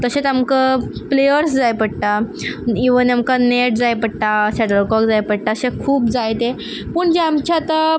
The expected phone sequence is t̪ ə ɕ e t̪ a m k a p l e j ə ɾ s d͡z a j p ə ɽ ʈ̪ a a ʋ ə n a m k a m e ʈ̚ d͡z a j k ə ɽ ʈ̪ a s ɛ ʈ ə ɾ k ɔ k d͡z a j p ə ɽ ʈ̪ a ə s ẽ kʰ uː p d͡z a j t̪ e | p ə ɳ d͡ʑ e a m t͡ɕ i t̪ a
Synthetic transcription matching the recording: t̪ ə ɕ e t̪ a m k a p l e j ə ɾ s d͡z a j p ə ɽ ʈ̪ a i ʋ ə n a m k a n e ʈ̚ d͡z a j p ə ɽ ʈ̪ a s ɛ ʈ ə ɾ k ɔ k d͡z a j p ə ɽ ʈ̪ a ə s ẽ kʰ uː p d͡z a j t̪ e | p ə ɳ d͡ʑ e a m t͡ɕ a t̪ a

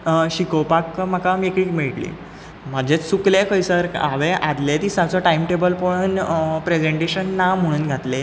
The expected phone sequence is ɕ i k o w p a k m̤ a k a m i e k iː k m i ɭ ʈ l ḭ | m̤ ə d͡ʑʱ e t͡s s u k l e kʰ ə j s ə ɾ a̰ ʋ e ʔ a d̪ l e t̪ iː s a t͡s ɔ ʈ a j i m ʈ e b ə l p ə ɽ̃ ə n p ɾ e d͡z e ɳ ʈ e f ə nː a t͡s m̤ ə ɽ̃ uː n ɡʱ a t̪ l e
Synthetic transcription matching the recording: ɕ i k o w p a k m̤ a k a m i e k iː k m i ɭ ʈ l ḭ | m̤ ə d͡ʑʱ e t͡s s u k l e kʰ ə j s ə ɾ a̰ ʋ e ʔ a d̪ l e t̪ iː s a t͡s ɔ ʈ a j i m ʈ e b ə l p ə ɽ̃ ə n p ɾ e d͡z e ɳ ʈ e ɕ ə nː a m̤ ə ɽ̃ uː n ɡʱ a t̪ l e

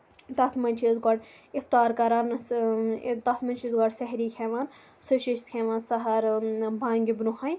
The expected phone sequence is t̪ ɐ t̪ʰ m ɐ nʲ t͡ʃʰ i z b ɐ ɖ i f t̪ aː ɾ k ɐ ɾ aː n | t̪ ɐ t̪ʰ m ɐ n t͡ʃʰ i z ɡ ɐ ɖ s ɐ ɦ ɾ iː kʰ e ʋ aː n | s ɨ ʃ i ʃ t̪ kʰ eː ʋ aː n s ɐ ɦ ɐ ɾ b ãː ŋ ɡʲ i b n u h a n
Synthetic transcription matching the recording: t̪ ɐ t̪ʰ m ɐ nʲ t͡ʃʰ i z ɡ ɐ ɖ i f t̪ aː ɾ k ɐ ɾ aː n | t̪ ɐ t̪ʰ m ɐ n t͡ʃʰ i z ɡ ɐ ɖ s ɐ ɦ ɾ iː kʰ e ʋ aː n | s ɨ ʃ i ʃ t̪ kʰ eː ʋ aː n s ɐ ɦ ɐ ɾ b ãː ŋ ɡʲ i b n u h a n

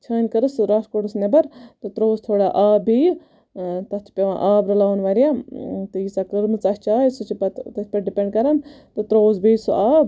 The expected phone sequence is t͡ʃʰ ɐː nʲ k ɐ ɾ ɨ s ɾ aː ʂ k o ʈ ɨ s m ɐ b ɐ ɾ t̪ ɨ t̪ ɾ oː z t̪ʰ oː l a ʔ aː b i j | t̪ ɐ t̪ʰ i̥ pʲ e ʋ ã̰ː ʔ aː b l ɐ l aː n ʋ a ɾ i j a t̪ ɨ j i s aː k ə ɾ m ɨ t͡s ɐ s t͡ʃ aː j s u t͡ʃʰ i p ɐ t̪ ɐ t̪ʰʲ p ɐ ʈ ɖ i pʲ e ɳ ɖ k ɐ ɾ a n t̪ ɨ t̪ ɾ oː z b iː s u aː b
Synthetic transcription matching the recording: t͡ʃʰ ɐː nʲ k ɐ ɾ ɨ s ɾ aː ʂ k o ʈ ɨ s n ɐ b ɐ ɾ t̪ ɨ t̪ ɾ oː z t̪ʰ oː ɽ a ʔ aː b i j | t̪ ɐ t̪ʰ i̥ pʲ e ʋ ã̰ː ʔ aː b ɾ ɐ l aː n ʋ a ɾ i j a t̪ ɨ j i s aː k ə ɾ m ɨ t͡s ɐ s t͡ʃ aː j s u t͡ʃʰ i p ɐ t̪ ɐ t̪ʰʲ p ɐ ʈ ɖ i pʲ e ɳ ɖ k ɐ ɾ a n t̪ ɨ t̪ ɾ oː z b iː s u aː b

